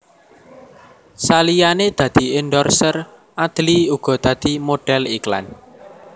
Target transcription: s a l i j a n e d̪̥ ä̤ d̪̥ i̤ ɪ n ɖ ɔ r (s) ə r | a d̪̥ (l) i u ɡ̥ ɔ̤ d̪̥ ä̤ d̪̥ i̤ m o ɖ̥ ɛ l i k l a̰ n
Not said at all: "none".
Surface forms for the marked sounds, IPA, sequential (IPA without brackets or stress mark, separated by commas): s, l